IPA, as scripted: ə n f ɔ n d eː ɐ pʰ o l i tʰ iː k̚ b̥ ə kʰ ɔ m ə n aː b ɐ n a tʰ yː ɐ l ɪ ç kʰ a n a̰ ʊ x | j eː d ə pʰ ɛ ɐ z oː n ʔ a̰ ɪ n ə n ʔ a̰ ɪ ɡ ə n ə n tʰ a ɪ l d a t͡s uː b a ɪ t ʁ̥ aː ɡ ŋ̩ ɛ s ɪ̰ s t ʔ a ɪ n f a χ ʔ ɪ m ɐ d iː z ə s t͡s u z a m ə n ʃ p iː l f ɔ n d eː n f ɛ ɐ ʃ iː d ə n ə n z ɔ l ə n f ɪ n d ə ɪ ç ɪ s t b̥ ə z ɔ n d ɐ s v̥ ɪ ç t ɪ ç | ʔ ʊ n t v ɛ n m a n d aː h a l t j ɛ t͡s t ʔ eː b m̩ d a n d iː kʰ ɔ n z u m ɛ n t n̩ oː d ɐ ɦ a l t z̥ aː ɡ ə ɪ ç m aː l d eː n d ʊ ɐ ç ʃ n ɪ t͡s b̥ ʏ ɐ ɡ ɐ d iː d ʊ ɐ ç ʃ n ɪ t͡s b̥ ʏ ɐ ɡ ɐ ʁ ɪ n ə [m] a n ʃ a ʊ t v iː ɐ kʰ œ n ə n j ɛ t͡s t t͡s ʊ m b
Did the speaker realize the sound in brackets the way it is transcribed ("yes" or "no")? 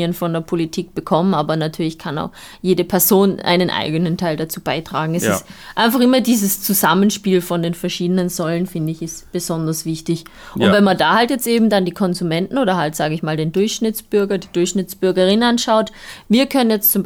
no